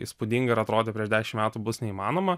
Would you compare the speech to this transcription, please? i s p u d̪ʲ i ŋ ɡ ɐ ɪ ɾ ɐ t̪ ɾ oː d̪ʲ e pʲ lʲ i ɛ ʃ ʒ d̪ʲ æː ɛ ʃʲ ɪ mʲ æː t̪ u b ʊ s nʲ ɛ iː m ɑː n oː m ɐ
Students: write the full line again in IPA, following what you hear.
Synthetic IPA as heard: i s p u d̪ʲ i ŋ ɡ ɐ ɪ ɾ ɐ t̪ ɾ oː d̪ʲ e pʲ ɾʲ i ɛ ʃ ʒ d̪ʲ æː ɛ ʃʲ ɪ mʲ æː t̪ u b ʊ s nʲ ɛ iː m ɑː n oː m ɐ